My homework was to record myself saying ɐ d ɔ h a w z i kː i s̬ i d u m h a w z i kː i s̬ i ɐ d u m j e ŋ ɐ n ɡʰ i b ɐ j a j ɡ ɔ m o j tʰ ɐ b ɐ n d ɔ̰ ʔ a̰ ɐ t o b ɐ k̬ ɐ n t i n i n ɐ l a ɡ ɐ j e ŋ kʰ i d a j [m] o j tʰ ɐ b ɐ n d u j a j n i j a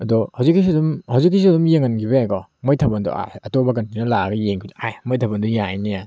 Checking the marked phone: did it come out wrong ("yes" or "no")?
no